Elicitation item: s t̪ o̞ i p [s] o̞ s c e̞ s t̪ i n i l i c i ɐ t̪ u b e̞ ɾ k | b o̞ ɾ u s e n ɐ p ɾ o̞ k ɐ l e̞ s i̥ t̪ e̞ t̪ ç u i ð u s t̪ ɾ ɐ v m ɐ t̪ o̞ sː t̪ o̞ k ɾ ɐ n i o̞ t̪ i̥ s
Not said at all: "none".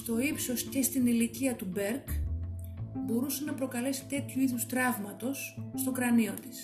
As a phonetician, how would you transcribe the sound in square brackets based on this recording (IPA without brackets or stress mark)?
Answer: s